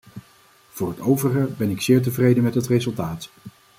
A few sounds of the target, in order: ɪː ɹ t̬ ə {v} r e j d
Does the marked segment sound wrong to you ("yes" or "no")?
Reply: no